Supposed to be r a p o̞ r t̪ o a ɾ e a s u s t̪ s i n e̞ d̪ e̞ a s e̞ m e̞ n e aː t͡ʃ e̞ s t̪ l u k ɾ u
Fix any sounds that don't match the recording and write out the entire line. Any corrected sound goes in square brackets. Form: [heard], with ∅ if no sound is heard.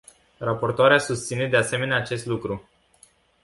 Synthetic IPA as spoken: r a p o̞ r t̪ o a ɾ e a s u s t̪ s i n e̞ d̪ e̞ a s e̞ m e̞ n e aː t͡ʃ e̞ s t̪ l u k ɾ u